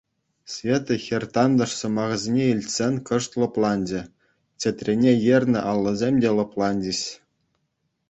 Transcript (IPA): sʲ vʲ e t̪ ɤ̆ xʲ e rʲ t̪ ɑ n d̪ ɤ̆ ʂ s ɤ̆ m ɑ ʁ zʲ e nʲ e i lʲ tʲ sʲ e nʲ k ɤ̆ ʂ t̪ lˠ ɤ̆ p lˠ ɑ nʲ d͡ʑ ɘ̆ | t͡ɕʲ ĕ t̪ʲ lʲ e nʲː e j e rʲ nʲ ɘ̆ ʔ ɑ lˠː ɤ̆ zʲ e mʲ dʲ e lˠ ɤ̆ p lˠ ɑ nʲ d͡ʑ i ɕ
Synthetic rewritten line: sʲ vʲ e t̪ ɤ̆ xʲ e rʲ t̪ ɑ n d̪ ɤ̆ ʂ s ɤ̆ m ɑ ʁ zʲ e nʲ e i lʲ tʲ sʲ e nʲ k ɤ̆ ʂ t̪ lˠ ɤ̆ p lˠ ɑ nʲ d͡ʑ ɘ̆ | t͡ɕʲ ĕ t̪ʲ rʲ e nʲ e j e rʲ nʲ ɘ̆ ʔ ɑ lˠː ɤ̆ zʲ e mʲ dʲ e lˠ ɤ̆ p lˠ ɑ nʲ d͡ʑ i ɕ